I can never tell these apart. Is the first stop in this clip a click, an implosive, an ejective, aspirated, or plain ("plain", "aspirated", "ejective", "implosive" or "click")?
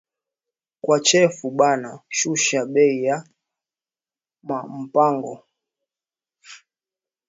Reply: plain